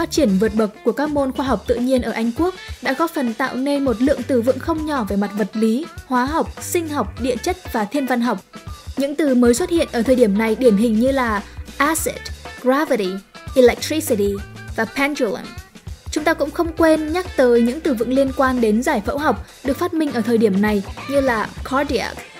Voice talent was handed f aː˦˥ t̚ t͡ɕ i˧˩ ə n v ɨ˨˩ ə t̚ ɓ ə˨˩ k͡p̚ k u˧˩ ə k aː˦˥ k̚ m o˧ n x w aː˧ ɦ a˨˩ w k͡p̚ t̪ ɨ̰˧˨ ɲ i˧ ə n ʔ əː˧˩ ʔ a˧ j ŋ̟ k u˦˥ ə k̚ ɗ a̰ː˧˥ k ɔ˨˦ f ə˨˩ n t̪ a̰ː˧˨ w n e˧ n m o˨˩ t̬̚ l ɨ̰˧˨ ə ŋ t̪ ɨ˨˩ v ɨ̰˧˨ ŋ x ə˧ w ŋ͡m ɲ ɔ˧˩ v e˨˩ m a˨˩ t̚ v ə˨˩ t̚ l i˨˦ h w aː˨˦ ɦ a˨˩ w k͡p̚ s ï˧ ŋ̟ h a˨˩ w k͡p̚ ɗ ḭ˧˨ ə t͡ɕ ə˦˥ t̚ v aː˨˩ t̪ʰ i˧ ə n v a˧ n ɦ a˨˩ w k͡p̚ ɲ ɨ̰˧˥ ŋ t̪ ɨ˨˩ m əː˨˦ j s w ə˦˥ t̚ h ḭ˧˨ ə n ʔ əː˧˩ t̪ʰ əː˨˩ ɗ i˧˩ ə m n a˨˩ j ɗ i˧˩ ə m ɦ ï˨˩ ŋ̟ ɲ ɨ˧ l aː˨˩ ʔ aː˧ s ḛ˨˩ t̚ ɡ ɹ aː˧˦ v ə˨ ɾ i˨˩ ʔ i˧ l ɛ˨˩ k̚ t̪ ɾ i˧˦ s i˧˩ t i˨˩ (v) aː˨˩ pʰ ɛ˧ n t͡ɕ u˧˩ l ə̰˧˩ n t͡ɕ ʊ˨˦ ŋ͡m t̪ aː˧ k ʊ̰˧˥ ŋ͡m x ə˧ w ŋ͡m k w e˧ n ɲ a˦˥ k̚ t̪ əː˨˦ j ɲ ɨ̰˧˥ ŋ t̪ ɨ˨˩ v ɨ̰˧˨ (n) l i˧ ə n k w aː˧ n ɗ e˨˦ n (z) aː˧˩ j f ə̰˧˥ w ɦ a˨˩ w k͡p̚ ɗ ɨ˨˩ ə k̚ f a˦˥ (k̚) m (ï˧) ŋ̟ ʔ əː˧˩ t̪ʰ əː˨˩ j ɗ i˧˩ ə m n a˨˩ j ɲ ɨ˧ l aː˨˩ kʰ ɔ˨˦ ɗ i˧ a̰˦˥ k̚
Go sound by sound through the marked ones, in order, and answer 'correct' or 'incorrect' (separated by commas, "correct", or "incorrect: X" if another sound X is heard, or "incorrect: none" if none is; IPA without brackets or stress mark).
correct, incorrect: ŋ, correct, incorrect: t̚, correct